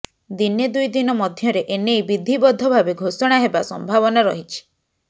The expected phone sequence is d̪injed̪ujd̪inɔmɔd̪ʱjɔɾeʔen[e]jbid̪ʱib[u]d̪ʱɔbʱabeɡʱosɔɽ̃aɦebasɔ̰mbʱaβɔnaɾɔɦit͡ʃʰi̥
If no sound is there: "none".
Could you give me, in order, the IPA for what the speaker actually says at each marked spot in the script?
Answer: e, ɔ

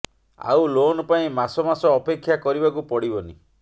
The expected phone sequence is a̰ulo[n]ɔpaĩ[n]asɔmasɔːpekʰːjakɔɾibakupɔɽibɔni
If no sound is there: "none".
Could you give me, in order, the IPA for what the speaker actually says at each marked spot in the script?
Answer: n, m

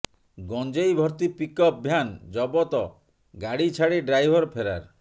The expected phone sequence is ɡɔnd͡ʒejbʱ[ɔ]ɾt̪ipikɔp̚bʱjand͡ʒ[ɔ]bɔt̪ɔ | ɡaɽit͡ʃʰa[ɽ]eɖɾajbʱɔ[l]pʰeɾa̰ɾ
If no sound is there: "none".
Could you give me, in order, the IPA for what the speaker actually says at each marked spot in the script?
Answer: ɔ, ɔ, ɽ, ɾ

